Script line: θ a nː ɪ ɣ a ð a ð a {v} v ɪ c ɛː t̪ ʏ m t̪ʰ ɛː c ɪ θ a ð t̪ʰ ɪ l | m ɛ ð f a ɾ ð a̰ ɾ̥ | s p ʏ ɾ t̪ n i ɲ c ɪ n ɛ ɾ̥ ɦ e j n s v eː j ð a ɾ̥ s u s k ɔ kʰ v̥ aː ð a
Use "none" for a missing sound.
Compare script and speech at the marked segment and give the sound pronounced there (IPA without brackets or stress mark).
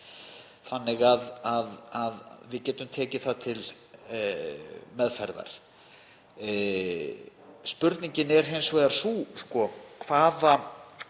ð